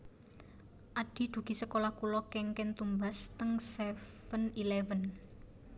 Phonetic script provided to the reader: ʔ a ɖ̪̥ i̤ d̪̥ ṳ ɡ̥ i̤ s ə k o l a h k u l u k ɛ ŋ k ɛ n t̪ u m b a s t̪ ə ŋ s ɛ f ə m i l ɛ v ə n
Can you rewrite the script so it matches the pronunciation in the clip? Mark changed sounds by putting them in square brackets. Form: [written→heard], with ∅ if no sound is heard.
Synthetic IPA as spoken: ʔ a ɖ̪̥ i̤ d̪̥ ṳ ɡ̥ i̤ s ə k o l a h k u l [u→ɔ] k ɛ ŋ k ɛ n t̪ u m b a s t̪ ə ŋ s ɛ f ə [m→n] i l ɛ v ə n